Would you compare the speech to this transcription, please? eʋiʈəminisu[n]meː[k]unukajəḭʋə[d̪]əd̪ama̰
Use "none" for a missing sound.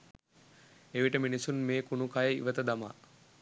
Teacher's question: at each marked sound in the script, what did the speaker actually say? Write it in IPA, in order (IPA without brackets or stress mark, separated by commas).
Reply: n, k, t̪